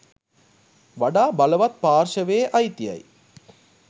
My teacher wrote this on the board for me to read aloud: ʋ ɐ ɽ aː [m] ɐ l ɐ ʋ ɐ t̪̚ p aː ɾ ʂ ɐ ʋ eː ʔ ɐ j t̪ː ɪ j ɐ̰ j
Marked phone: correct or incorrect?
incorrect: b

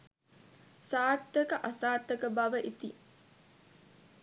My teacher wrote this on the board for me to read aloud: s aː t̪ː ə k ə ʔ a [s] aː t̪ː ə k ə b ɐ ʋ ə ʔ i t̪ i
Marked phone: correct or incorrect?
correct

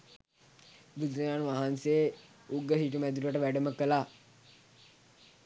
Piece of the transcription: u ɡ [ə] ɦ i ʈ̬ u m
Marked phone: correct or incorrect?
correct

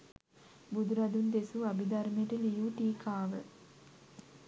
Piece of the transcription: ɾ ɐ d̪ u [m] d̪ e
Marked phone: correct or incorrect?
incorrect: n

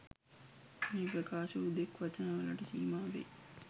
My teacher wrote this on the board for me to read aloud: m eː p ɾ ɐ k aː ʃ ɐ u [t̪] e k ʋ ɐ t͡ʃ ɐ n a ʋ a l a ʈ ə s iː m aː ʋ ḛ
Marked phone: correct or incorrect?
incorrect: d̪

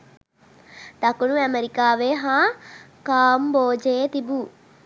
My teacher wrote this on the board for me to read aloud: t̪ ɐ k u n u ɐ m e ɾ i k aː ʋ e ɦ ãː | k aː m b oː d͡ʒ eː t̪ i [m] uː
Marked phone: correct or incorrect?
incorrect: b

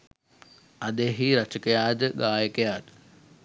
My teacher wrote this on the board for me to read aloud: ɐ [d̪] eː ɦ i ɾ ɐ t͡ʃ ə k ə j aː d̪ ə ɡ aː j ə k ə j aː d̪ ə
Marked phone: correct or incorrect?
correct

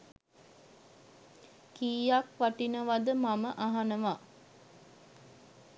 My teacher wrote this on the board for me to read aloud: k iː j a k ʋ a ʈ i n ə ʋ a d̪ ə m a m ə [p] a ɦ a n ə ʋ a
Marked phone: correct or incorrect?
incorrect: ʔ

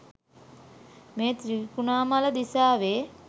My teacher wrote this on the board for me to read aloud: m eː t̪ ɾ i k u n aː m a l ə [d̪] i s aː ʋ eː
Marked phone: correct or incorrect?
correct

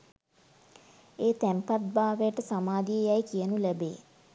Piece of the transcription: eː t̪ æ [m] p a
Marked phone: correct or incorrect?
correct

